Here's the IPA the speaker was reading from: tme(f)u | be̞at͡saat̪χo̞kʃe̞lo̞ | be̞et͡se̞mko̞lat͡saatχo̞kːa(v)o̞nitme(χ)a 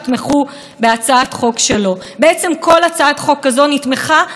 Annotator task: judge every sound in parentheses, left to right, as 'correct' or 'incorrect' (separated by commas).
incorrect, incorrect, correct